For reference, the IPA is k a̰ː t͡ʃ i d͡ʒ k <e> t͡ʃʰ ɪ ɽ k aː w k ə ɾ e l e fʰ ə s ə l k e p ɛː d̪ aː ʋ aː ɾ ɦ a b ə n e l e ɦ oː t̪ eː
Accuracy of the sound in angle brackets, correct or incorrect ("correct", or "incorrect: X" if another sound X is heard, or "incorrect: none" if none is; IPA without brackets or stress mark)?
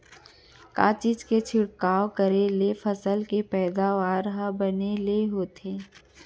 correct